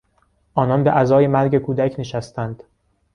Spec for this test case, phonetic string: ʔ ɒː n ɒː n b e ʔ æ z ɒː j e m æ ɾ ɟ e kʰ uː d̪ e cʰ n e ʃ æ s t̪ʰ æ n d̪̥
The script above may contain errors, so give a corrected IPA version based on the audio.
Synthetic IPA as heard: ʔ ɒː n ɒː n b e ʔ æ z ɒː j e m æ ɾ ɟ e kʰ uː d̪ æ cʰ n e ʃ æ s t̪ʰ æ n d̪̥